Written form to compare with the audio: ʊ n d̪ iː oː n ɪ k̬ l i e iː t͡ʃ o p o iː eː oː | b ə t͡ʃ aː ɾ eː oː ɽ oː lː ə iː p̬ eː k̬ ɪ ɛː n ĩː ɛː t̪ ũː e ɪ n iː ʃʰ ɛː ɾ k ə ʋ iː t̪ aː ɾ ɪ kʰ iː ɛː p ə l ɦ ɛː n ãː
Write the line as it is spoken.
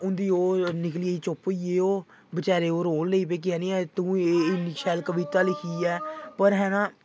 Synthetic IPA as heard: ʊ n d̪ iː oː n ɪ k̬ l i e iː t͡ʃ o p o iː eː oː | b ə t͡ʃ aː ɾ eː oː ɾ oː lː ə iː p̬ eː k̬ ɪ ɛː n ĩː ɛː t̪ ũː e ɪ n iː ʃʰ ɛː l k ə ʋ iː t̪ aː l ɪ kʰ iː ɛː p ə ɾ ɦ ɛː n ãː